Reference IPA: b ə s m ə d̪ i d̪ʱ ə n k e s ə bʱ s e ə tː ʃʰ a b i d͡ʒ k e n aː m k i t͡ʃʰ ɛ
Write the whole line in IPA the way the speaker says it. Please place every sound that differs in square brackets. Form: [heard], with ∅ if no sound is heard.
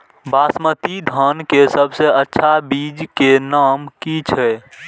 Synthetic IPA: b [a] s m ə [t̪] i d̪ʱ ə n k e s ə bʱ s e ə tː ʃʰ a b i d͡ʒ k e n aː m k i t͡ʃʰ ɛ